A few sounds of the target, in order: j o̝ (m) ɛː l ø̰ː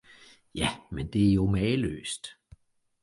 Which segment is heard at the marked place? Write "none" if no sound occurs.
m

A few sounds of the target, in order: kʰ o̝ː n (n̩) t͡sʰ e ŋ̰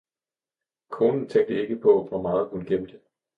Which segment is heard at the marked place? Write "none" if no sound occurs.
n̩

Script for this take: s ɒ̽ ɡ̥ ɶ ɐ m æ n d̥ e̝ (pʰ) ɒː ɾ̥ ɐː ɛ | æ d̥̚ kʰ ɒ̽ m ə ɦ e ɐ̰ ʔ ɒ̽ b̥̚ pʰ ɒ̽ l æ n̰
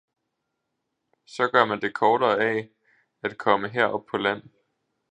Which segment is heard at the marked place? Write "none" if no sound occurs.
kʰ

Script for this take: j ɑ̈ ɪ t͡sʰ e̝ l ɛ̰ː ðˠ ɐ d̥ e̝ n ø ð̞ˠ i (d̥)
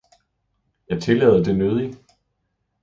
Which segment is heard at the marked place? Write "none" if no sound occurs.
none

